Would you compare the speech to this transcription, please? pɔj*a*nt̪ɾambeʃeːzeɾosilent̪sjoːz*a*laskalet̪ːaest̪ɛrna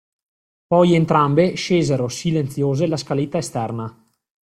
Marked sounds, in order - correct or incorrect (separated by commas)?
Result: incorrect, incorrect